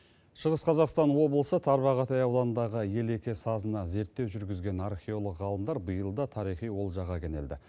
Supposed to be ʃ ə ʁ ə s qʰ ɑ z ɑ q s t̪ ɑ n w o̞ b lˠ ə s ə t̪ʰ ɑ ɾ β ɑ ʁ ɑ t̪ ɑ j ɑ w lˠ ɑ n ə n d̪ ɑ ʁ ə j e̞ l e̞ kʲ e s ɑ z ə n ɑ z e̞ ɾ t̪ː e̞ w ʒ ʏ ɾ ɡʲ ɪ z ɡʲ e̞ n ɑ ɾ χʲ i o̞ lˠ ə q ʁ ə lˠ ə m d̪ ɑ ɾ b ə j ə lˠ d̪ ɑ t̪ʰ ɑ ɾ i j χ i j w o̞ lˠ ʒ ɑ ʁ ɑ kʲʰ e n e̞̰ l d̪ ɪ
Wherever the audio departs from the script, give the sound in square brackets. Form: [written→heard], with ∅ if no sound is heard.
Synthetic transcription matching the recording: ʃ ə ʁ ə s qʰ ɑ z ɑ q s t̪ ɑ n w o̞ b lˠ ə s ə t̪ʰ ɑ ɾ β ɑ ʁ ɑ t̪ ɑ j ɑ w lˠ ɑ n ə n d̪ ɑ ʁ ə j e̞ l e̞ kʲ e s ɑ z ə n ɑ z e̞ ɾ t̪ː e̞ w ʒ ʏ ɾ ɡʲ ɪ z ɡʲ e̞ n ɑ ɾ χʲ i o̞ lˠ ə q ʁ [ə→ɑ] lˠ ə m d̪ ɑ ɾ b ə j ə lˠ d̪ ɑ t̪ʰ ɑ ɾ i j χ i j w o̞ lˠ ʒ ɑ ʁ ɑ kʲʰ e n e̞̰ l d̪ ɪ